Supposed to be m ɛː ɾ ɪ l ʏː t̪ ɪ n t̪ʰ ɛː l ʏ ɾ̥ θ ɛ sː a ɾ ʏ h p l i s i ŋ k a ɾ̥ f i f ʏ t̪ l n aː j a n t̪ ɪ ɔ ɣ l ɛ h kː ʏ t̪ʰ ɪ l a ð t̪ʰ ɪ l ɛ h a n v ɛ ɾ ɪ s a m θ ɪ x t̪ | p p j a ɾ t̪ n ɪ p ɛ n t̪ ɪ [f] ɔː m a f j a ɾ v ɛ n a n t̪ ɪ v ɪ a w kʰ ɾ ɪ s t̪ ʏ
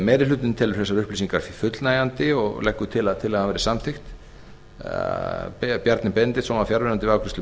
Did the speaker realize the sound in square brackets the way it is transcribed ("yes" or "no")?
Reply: no